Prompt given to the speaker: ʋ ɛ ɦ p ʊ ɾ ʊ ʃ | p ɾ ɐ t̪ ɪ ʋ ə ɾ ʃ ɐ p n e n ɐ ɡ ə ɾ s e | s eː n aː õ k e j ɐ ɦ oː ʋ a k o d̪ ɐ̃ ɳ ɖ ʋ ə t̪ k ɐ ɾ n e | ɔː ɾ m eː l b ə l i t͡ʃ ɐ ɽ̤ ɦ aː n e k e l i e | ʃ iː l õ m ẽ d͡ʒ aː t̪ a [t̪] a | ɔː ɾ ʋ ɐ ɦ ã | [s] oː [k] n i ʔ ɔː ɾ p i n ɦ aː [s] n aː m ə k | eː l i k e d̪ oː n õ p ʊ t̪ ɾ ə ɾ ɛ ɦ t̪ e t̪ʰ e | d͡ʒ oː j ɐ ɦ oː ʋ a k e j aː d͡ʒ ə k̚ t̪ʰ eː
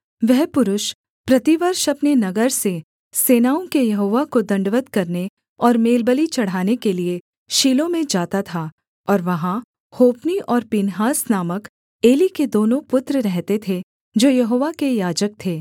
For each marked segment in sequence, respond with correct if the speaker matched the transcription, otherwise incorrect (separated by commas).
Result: incorrect, incorrect, incorrect, correct